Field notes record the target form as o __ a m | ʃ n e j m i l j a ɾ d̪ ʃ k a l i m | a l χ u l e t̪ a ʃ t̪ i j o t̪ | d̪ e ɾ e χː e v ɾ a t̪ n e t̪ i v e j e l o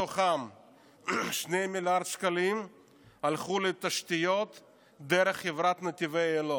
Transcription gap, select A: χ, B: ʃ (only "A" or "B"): A